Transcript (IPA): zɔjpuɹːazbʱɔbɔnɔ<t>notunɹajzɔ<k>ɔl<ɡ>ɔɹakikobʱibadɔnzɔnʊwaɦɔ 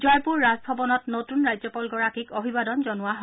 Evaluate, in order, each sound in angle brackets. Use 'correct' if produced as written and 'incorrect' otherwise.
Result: correct, incorrect: p, correct

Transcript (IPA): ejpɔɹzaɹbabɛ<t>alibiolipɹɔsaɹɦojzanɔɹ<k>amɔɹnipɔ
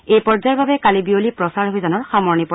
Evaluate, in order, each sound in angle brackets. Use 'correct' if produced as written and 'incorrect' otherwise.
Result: incorrect: k, incorrect: x

